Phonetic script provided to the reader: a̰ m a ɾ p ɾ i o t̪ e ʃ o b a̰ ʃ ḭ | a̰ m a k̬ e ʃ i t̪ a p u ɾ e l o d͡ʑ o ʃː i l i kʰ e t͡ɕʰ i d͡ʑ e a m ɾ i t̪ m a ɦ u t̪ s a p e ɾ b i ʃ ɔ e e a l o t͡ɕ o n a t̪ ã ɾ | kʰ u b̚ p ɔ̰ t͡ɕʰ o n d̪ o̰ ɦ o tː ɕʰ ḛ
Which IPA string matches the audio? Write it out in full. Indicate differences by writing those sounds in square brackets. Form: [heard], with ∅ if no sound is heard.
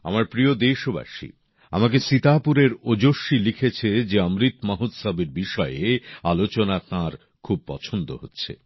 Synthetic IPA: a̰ m a ɾ p ɾ i o [d̪] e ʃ o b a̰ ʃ ḭ | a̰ m a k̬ e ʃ i t̪ a p u ɾ e [ɾ] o d͡ʑ o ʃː i l i kʰ e t͡ɕʰ [e] d͡ʑ e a m ɾ i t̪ m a ɦ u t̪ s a [b] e ɾ b i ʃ ɔ e e a l o t͡ɕ o n a t̪ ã ɾ | kʰ u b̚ p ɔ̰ t͡ɕʰ o n d̪ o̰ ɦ o tː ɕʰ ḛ